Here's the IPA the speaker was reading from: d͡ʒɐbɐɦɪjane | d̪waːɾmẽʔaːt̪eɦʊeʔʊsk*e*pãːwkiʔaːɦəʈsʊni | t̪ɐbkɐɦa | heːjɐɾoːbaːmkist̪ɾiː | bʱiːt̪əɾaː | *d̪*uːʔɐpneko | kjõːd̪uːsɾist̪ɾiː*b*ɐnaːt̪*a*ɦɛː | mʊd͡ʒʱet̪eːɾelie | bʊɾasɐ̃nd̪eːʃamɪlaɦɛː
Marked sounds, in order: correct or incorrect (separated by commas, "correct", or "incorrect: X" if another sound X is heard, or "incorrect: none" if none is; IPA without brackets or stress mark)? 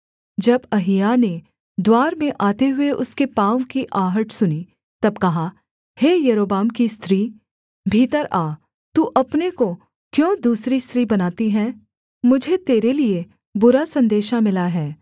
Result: correct, incorrect: t̪, correct, incorrect: i